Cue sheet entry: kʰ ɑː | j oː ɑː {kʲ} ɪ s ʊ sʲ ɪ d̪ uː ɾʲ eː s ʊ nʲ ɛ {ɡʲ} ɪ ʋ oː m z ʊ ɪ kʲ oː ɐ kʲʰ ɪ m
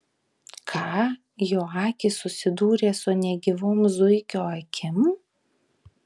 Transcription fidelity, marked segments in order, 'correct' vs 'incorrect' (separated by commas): correct, correct